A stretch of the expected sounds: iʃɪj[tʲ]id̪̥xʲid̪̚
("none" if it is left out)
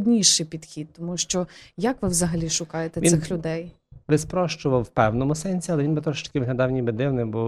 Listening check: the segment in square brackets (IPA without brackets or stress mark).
pʲ